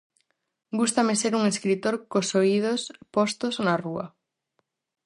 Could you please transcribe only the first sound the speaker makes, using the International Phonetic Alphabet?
ɡ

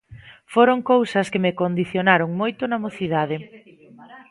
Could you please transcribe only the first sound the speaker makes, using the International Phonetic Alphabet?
f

